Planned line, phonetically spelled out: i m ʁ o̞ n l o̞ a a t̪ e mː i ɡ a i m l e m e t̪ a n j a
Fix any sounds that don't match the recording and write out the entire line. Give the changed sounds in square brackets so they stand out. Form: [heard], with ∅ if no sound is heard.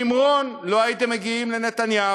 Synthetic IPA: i m ʁ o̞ n l o̞ a [i] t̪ e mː [e] ɡ [i] i m l e [n] e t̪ a n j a